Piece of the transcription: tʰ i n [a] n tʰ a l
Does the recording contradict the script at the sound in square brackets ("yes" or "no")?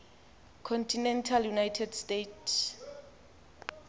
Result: yes